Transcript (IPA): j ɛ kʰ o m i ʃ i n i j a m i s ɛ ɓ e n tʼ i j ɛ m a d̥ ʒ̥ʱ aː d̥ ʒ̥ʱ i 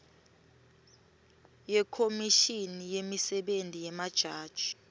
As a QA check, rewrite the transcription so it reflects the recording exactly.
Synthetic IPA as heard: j ɛ kʰ o m i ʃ i n i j e m i s ɛ ɓ e n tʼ i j ɛ m a d̥ ʒ̥ʱ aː d̥ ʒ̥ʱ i